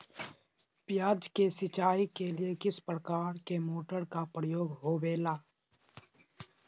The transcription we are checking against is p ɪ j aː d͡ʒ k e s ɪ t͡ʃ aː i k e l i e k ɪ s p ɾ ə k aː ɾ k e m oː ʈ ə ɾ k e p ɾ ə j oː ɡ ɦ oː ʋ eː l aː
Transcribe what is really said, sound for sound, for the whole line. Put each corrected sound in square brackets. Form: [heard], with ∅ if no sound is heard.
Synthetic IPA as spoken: p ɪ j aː d͡ʒ k e s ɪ t͡ʃ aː i k e l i e k ɪ s p ɾ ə k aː ɾ k e m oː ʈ ə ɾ k [a] p ɾ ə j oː ɡ ɦ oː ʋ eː l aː